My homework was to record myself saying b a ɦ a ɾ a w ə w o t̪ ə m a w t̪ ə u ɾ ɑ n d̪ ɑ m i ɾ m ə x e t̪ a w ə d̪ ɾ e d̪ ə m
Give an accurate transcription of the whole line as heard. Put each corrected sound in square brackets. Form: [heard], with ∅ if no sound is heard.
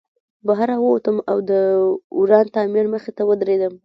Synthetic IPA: b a ɦ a ɾ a w ə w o t̪ ə m a w [d̪] ə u ɾ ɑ n [t̪] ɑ m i ɾ m ə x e t̪ a w ə d̪ ɾ e d̪ ə m